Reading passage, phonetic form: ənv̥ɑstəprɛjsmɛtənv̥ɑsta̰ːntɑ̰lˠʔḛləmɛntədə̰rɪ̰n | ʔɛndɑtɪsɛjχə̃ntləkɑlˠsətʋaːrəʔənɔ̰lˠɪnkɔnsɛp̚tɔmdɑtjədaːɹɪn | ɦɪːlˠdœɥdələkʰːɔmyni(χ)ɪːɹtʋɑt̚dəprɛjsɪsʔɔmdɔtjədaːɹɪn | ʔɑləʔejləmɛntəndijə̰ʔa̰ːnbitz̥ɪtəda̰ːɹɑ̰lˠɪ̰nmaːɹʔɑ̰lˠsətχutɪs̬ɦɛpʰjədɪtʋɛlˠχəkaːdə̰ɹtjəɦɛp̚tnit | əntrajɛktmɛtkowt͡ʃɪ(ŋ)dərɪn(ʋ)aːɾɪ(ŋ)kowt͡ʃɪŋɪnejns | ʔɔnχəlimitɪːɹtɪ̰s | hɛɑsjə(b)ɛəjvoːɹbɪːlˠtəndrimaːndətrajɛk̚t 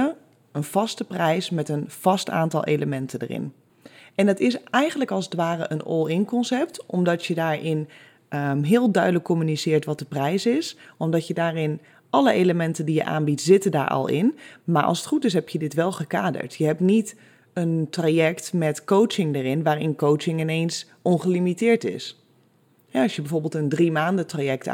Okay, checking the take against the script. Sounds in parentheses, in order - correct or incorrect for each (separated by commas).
incorrect, correct, correct, incorrect, correct